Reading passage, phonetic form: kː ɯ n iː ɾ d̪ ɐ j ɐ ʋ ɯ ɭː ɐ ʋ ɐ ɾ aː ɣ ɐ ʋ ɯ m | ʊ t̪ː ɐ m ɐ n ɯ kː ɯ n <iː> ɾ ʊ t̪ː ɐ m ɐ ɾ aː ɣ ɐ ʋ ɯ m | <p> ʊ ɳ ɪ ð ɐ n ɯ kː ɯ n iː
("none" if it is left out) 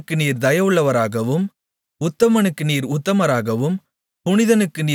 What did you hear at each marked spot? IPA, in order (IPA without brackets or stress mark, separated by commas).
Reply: iː, p